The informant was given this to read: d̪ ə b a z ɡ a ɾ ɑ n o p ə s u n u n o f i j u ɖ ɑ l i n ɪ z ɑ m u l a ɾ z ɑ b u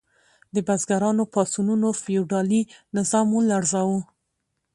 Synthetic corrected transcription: d̪ ə b a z ɡ a ɾ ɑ n o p ɑ s u n u n o f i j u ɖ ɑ l i n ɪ z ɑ m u l a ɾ z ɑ w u